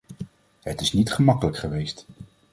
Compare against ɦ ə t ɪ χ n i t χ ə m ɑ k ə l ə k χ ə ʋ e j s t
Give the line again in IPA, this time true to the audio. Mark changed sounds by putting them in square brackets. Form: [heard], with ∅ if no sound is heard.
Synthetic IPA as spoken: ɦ ə t ɪ [s] n i t χ ə m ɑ k ə l ə k χ ə ʋ e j s t